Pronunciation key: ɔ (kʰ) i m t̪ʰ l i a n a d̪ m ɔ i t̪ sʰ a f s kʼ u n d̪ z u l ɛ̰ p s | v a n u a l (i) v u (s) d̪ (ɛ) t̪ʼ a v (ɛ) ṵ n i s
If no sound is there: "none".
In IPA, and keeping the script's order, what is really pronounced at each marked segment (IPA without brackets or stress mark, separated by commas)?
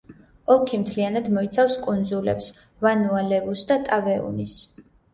kʰ, ɛ, s, a, ɛ